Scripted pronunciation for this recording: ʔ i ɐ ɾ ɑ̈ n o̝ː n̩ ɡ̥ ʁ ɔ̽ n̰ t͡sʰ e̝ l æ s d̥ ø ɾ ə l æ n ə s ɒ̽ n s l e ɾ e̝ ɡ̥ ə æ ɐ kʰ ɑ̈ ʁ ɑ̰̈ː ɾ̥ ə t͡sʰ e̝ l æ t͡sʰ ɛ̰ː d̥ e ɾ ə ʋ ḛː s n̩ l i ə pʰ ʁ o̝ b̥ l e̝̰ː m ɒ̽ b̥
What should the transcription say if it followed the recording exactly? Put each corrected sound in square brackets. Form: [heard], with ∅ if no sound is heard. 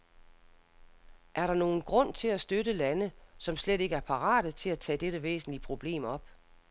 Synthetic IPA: ʔ [æ] ɐ ɾ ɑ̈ n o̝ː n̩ ɡ̥ ʁ ɔ̽ n̰ t͡sʰ e̝ l æ s d̥ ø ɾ ə l æ n ə s ɒ̽ [m] s l e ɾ e̝ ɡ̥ ə æ ɐ [pʰ] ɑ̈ ʁ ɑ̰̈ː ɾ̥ ə t͡sʰ e̝ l æ t͡sʰ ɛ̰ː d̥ e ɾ ə ʋ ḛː s n̩ l i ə pʰ ʁ o̝ b̥ l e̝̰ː m ɒ̽ b̥